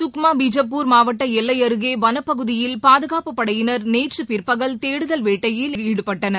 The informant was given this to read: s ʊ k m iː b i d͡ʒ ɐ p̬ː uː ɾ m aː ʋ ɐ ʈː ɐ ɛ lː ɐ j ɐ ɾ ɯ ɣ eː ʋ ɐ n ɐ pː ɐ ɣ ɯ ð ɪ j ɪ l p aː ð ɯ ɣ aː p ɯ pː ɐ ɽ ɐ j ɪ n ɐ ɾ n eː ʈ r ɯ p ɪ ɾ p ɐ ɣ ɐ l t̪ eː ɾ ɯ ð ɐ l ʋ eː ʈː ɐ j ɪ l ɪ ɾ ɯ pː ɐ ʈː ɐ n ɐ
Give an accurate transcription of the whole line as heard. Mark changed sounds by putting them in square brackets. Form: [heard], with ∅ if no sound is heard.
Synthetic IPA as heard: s ʊ k m [aː] b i d͡ʒ ɐ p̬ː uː ɾ m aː ʋ ɐ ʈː ɐ ɛ lː ɐ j ɐ ɾ ɯ ɣ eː ʋ ɐ n ɐ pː ɐ ɣ ɯ ð ɪ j ɪ l p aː ð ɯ ɣ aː p ɯ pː ɐ ɽ ɐ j ɪ n ɐ ɾ n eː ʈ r ɯ p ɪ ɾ p ɐ ɣ ɐ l t̪ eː [ɽ] ɯ ð ɐ l ʋ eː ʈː ɐ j ɪ l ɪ [ɽ] ɯ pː ɐ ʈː ɐ n ɐ